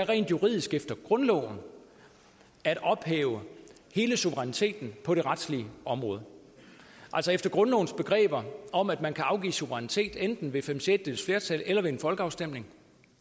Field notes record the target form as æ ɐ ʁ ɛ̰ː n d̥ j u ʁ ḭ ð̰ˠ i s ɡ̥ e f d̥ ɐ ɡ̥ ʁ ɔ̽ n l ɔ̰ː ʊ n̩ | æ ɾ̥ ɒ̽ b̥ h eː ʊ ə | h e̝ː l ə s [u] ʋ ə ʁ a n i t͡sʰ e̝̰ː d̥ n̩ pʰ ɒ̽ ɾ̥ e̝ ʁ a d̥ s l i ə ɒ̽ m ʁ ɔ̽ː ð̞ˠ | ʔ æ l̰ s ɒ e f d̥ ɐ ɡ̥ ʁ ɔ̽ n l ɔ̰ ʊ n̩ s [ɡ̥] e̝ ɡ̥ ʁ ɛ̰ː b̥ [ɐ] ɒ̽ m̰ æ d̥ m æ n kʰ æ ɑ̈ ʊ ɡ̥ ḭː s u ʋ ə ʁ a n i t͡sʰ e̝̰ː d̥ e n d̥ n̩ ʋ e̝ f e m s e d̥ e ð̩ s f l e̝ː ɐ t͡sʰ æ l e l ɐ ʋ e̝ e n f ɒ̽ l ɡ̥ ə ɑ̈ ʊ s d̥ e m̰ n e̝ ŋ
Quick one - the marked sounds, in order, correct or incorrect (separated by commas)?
correct, incorrect, correct